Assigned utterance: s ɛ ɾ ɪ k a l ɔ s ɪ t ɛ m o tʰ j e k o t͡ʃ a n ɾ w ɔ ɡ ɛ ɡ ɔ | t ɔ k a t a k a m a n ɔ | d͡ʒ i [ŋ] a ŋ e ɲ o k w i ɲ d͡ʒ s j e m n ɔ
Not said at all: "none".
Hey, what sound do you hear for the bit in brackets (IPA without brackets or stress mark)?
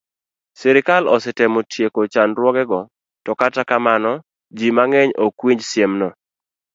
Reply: m